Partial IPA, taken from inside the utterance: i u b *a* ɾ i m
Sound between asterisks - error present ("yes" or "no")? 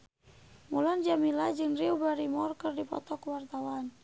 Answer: no